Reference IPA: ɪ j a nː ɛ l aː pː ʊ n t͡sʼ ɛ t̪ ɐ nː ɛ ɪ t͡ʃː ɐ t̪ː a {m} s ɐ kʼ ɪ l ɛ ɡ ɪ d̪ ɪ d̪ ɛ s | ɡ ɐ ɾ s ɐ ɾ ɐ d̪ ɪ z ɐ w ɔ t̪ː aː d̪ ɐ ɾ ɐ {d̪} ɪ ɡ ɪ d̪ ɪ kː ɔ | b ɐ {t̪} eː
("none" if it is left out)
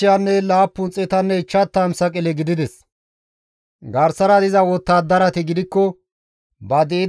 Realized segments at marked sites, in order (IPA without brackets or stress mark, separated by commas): m, t̪, d̪